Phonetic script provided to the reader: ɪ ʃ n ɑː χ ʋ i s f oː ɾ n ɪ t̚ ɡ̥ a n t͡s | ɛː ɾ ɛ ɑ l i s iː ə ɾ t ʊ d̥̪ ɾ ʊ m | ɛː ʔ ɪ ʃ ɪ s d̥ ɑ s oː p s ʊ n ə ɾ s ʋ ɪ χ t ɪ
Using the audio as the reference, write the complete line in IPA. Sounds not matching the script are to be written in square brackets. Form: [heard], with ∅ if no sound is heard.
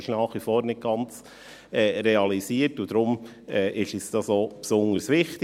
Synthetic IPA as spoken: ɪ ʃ n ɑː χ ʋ i [∅] f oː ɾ n ɪ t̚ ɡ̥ [ɑ] n t͡s | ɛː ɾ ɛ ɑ l i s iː ə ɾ t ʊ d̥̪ ɾ ʊ m | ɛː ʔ ɪ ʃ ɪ s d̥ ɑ s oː p s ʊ n ə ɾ s ʋ ɪ χ t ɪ